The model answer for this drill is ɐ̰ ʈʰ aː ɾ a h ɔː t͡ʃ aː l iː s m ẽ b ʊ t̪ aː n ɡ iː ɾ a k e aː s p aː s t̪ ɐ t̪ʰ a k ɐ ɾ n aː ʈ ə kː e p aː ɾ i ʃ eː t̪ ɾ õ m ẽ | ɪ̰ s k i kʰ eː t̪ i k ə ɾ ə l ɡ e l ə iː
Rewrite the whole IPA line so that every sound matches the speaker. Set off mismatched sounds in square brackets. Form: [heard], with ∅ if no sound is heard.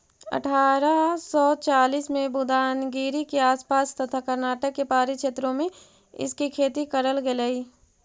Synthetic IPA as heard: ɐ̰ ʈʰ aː ɾ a [s] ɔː t͡ʃ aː l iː s m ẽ b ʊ [d̪] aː n ɡ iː ɾ [i] k e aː s p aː s t̪ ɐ t̪ʰ a k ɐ ɾ n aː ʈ ə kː e p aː ɾ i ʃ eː t̪ ɾ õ m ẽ | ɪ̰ s k i kʰ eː t̪ i k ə ɾ ə l ɡ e l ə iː